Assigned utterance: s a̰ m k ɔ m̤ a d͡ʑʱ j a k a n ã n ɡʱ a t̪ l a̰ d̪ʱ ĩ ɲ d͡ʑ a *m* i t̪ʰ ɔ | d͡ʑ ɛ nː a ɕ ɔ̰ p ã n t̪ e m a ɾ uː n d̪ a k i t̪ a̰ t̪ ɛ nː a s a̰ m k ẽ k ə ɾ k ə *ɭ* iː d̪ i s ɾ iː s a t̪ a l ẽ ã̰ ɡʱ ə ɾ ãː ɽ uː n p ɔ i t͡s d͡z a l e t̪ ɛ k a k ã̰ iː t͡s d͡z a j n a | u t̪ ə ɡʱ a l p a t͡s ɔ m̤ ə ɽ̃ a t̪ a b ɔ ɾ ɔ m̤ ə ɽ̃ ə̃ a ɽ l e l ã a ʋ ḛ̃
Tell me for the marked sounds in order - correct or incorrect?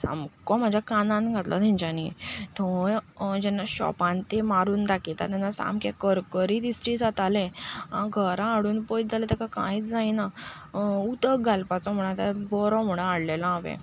incorrect: n, incorrect: ɾ

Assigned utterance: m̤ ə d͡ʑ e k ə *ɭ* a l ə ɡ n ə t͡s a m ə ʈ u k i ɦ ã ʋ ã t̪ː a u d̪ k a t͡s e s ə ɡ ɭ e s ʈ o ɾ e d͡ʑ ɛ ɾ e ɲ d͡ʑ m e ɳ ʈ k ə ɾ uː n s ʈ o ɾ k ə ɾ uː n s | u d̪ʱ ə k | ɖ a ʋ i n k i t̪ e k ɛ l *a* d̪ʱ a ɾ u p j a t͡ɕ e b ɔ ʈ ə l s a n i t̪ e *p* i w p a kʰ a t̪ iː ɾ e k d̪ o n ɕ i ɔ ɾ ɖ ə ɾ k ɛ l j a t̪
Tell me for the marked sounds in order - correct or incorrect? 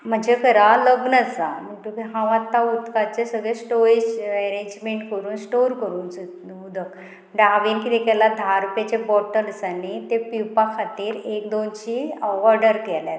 incorrect: ɾ, correct, correct

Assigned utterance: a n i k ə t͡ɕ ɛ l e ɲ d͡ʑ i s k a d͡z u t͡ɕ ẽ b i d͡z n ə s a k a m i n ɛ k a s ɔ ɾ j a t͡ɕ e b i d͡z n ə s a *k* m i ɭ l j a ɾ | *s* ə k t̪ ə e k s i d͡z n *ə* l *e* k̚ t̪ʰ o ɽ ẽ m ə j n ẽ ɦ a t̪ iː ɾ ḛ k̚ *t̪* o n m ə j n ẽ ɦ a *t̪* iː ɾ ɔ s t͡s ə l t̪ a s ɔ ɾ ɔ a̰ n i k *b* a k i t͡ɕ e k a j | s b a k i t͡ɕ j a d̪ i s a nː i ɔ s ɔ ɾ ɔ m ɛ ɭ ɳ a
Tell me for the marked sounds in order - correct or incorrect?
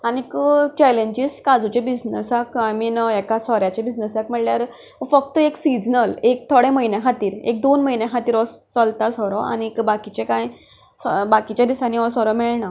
correct, incorrect: f, correct, correct, incorrect: d̪, correct, correct

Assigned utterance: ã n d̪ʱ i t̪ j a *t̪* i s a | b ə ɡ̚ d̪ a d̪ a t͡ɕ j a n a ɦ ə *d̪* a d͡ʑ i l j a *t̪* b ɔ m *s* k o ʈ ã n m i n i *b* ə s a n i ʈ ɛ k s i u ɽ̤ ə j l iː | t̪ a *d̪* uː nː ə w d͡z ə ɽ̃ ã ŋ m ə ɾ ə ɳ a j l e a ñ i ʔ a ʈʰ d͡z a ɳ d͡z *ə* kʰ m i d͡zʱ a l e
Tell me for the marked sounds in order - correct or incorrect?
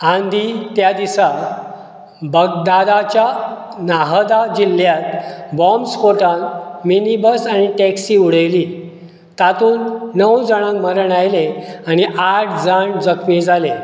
incorrect: d̪, correct, correct, correct, correct, incorrect: t̪, correct

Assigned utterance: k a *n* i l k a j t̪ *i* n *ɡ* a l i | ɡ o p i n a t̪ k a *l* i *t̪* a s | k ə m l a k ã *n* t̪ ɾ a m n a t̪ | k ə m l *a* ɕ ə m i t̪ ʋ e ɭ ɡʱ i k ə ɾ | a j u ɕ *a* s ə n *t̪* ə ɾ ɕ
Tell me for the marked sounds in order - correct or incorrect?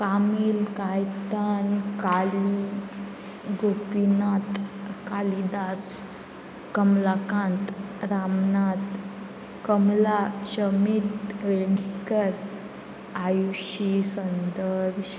incorrect: m, incorrect: a, incorrect: k, correct, incorrect: d̪, correct, correct, incorrect: i, incorrect: d̪

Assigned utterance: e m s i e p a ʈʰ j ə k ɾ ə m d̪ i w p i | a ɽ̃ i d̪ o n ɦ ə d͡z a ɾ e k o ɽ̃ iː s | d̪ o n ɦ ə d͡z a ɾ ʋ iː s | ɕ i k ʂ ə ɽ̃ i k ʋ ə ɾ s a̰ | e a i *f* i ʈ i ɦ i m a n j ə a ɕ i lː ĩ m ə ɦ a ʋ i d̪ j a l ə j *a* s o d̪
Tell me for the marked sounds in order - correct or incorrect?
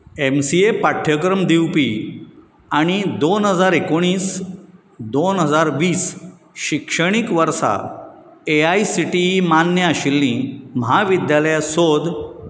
incorrect: s, correct

